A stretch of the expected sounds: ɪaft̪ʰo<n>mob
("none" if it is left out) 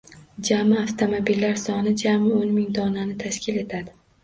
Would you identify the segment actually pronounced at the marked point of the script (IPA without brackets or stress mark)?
none